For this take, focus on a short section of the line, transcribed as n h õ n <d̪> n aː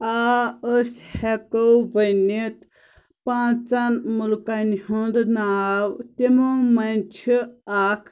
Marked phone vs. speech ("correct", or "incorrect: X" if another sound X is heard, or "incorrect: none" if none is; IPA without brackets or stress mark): correct